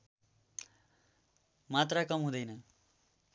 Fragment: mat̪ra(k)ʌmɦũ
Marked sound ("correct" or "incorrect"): correct